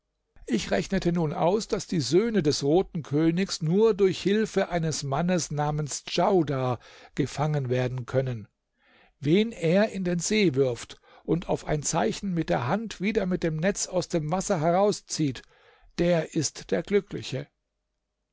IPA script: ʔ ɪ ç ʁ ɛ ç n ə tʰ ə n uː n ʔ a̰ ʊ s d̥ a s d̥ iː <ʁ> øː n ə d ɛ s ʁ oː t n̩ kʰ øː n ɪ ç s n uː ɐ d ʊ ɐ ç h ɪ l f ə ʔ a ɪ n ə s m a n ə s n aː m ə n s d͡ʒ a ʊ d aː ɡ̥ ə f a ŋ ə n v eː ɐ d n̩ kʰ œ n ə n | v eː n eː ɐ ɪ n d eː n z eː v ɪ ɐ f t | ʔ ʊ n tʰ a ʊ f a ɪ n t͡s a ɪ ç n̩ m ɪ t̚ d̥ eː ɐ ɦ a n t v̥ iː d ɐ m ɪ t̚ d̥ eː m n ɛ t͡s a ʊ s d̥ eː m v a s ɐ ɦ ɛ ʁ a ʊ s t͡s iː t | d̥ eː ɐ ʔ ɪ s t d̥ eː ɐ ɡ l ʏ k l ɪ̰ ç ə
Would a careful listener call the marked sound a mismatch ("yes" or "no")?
yes